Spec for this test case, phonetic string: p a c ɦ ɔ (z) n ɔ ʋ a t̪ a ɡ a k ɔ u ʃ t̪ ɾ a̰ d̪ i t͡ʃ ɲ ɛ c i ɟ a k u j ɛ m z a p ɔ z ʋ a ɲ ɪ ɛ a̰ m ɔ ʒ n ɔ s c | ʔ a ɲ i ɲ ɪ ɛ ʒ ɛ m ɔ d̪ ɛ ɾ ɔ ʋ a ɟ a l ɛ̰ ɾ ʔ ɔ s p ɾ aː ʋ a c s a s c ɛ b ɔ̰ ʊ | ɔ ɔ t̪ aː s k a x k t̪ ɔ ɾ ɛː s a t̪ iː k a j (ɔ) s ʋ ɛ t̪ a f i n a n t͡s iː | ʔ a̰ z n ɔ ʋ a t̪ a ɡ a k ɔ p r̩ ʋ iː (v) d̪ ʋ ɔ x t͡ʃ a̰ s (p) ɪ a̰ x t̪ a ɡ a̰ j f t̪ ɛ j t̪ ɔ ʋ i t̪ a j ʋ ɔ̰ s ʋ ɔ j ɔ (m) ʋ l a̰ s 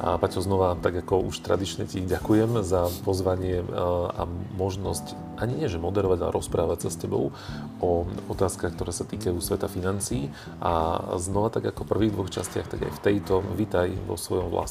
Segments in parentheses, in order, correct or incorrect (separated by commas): correct, incorrect, incorrect, incorrect, correct